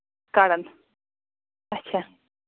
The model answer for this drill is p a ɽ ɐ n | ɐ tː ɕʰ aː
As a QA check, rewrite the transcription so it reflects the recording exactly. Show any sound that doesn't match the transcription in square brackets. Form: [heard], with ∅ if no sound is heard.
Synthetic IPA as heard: [k] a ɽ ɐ n | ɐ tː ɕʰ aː